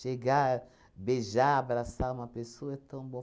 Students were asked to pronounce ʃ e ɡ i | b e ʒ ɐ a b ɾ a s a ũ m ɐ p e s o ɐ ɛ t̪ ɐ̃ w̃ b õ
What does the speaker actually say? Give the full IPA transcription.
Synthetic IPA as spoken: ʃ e ɡ a | b e ʒ a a b ɾ a s a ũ m ɐ p e s o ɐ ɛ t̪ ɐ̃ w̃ b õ